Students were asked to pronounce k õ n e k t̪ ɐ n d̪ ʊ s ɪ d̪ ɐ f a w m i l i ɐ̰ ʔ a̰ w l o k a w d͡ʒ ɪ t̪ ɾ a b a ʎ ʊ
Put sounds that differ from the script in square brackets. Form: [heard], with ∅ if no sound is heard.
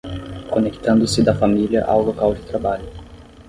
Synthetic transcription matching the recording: k [o] n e k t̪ [ɐ̃] n d̪ ʊ s ɪ d̪ ɐ f a [∅] m i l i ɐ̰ ʔ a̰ w l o k a w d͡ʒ ɪ t̪ ɾ a b a ʎ ʊ

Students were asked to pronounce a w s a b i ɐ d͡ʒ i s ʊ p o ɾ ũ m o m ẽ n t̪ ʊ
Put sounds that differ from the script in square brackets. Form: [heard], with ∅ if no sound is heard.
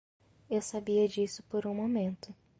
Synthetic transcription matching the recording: [e] w s a b i ɐ d͡ʒ i s ʊ p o ɾ ũ m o m ẽ n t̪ ʊ

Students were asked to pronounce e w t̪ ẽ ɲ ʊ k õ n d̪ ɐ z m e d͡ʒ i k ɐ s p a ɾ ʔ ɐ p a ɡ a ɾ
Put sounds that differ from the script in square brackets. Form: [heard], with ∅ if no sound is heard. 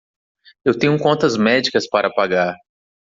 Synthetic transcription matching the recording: e w t̪ ẽ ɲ ʊ k õ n [t̪] ɐ z m [ɛ] d͡ʒ i k ɐ s p a ɾ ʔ ɐ p a ɡ a ɾ

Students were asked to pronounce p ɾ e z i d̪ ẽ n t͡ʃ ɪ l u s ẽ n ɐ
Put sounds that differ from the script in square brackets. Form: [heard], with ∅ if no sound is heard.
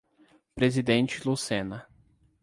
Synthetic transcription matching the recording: p ɾ e z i d̪ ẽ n t͡ʃ ɪ l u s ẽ n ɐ

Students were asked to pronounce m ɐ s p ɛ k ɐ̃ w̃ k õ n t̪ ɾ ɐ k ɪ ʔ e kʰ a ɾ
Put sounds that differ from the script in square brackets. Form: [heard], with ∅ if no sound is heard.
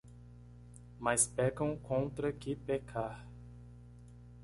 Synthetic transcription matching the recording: m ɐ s p ɛ k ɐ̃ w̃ k õ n t̪ ɾ ɐ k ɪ [p] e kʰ a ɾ

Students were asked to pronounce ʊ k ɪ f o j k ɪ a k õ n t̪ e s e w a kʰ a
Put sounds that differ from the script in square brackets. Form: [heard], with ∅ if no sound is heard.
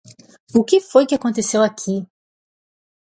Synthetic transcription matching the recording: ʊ k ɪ f o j k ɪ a k õ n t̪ e s e w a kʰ [i]

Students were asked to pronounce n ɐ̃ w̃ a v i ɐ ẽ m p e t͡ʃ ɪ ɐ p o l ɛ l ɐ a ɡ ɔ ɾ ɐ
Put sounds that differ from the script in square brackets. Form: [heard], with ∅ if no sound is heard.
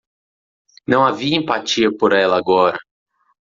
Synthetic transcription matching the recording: n ɐ̃ w̃ a v i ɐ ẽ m p [a] t͡ʃ [i] ɐ p o [ɾ] ɛ l ɐ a ɡ ɔ ɾ ɐ

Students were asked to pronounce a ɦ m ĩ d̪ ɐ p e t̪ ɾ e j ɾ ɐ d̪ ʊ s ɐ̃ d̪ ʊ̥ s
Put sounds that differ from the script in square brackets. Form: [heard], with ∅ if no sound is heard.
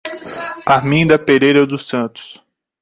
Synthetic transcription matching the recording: a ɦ m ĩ d̪ ɐ p e [∅] ɾ e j ɾ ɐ d̪ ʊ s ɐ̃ [t̪] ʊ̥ s

